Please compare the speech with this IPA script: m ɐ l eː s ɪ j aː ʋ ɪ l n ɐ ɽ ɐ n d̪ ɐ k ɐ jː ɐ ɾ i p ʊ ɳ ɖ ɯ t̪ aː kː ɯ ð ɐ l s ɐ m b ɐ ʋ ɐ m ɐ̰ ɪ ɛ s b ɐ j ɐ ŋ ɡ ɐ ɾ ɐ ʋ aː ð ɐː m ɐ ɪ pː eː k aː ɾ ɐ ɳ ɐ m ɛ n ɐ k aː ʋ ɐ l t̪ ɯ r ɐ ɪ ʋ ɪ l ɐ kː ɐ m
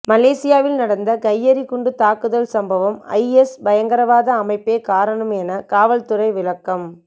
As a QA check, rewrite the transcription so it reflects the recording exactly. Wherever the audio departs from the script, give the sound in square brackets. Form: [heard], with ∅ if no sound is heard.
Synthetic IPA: m ɐ l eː s ɪ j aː ʋ ɪ l n ɐ ɽ ɐ n d̪ ɐ k ɐ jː ɐ ɾ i [k] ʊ ɳ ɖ ɯ t̪ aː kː ɯ ð ɐ l s ɐ m b ɐ ʋ ɐ m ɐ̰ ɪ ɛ s b ɐ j ɐ ŋ ɡ ɐ ɾ ɐ ʋ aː ð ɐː m ɐ ɪ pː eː k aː ɾ ɐ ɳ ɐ m ɛ n ɐ k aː ʋ ɐ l t̪ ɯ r ɐ ɪ ʋ ɪ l ɐ kː ɐ m